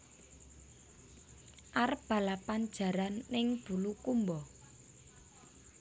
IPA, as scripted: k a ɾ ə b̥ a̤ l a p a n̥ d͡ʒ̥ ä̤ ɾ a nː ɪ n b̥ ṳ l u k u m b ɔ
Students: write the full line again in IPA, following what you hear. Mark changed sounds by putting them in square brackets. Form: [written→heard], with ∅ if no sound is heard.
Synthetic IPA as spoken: [k→ʔ] a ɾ ə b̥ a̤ l a p a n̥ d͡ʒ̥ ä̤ ɾ a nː ɪ [n→ŋ] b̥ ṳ l u k u m b ɔ